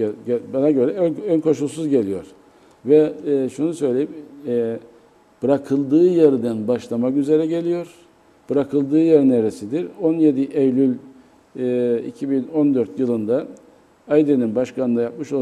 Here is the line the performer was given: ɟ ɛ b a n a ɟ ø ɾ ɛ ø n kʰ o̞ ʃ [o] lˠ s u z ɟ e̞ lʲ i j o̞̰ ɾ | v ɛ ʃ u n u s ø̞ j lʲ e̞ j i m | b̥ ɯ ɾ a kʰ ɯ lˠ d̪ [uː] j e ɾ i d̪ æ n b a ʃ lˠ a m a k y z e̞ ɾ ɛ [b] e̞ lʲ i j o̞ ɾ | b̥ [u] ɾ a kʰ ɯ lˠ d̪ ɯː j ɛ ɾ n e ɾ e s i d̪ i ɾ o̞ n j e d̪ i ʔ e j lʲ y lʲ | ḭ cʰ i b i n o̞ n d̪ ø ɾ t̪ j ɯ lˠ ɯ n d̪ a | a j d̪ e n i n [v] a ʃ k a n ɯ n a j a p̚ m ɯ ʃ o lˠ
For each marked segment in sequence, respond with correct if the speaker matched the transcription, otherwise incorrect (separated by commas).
incorrect, incorrect, incorrect, incorrect, incorrect